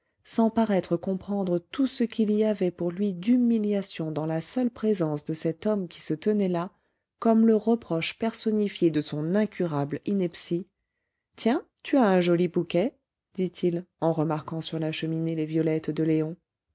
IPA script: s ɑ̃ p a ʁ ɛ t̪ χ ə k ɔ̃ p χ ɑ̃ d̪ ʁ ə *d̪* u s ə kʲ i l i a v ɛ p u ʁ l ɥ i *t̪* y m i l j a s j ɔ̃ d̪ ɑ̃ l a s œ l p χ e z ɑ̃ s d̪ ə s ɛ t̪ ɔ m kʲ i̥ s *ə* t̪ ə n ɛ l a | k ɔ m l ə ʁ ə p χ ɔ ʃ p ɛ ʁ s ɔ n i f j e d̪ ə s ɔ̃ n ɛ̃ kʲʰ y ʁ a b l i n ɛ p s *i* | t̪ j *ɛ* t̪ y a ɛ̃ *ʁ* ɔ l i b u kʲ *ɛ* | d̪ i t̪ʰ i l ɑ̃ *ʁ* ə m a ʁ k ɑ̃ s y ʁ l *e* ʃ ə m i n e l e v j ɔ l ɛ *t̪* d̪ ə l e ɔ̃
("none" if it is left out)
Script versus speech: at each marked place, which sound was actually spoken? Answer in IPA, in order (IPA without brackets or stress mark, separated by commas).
t̪, d̪, ə, i, ɛ̃, ʒ, ɛ, ʁ, a, t̪